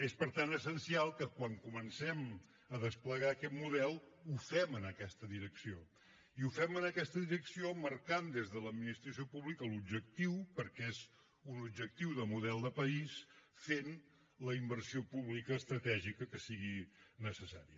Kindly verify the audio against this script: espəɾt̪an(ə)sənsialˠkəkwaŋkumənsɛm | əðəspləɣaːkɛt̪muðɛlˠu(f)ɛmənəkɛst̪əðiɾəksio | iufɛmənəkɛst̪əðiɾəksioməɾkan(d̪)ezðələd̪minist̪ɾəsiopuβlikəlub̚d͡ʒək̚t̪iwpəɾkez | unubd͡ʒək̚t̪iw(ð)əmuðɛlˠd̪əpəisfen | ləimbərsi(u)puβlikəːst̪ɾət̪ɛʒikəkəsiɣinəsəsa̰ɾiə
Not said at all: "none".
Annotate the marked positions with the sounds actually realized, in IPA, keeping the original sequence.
ə, f, d̪, ð, o

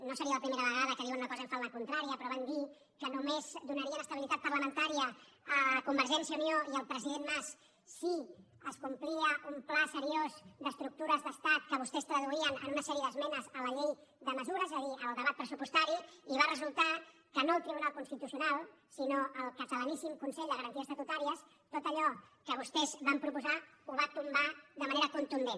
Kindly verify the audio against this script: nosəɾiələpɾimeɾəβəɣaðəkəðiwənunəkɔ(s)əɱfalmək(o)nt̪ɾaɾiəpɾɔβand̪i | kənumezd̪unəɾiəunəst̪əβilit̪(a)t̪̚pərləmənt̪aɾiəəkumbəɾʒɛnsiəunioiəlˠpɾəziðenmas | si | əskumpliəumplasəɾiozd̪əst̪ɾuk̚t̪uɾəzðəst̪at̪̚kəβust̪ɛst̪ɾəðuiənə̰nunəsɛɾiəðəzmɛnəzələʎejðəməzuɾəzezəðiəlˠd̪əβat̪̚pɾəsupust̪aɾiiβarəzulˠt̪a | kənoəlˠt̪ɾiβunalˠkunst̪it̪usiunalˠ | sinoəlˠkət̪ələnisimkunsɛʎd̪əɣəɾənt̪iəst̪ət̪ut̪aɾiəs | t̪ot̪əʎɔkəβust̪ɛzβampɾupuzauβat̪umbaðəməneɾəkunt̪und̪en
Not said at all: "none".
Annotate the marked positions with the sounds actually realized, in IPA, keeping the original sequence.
z, u, a

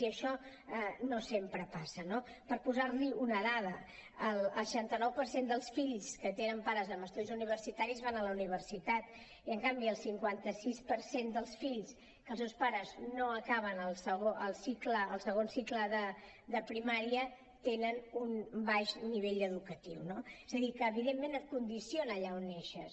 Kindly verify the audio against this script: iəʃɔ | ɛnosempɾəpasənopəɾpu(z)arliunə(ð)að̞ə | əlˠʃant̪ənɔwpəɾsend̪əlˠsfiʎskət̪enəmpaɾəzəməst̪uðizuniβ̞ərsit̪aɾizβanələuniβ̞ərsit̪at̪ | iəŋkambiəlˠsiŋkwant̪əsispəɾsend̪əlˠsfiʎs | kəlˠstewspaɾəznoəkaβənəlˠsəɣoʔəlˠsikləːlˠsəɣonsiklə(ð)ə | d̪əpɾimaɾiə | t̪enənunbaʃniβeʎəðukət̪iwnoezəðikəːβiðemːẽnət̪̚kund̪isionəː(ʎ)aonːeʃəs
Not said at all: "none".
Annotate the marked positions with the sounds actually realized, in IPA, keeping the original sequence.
z, ð, ð, ʎ

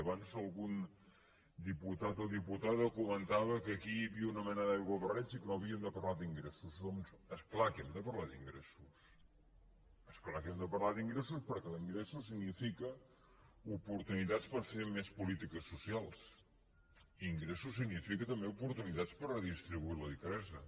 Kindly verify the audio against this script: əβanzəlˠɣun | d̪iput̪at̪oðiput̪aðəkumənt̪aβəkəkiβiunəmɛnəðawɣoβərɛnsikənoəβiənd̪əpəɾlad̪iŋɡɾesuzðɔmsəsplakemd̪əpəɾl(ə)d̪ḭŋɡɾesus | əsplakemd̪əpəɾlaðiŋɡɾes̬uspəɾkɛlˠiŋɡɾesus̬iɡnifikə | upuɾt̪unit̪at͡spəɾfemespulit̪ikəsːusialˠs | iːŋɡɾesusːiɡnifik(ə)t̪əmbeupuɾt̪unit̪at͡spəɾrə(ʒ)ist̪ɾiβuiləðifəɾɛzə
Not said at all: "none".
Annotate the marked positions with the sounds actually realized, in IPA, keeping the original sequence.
a, ə, ð

